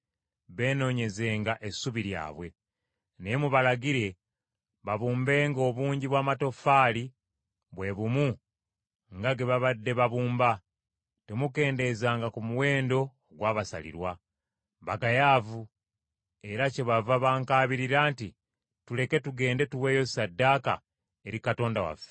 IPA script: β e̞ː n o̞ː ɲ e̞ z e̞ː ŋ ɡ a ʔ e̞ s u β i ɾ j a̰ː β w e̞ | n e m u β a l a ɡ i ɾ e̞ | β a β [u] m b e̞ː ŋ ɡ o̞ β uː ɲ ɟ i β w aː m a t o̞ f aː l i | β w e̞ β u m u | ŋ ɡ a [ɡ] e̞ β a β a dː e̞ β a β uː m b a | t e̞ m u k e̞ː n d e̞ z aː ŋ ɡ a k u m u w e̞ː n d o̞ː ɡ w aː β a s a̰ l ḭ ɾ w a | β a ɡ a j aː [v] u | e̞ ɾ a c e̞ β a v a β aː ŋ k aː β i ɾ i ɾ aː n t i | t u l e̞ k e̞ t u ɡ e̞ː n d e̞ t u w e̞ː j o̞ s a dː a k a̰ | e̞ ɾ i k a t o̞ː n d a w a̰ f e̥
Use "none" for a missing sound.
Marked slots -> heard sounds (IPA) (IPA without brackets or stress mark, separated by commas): uː, ɡ, v